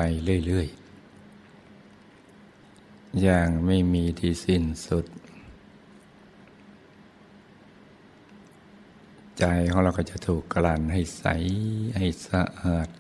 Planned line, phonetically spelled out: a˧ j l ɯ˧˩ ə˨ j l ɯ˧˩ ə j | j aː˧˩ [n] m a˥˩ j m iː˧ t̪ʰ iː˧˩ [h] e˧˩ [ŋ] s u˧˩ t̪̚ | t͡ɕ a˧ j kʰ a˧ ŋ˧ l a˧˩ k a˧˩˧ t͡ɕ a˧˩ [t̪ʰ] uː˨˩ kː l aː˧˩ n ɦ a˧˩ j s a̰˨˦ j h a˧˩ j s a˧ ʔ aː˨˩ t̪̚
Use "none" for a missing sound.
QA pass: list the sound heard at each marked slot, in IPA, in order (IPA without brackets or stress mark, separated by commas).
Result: ŋ, s, n, t̪ʰ